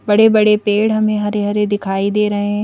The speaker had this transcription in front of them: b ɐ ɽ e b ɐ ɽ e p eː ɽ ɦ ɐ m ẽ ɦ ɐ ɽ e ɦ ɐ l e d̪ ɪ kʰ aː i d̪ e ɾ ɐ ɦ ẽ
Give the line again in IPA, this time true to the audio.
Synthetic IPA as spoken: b ɐ ɽ e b ɐ ɽ e p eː ɽ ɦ ɐ m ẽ ɦ ɐ ɾ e ɦ ɐ ɾ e d̪ ɪ kʰ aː i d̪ e ɾ ɐ ɦ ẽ